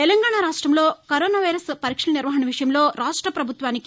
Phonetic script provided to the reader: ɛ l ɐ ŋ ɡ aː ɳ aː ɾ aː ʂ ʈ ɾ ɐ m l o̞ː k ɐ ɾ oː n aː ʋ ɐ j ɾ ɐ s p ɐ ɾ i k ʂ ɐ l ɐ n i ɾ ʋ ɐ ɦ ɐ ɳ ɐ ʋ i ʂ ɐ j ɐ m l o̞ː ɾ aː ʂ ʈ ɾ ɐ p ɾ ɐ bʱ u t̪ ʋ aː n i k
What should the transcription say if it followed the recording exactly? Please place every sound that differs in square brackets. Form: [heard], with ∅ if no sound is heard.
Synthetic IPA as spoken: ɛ l ɐ ŋ ɡ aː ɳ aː ɾ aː ʂ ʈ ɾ ɐ m l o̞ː k ɐ ɾ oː n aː ʋ ɐ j ɾ ɐ s p ɐ ɾ i k ʂ ɐ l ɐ n i ɾ ʋ ɐ ɦ ɐ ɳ ɐ ʋ i ʂ ɐ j ɐ m l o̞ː ɾ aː ʂ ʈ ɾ ɐ p ɾ ɐ bʱ u t̪ ʋ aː n i k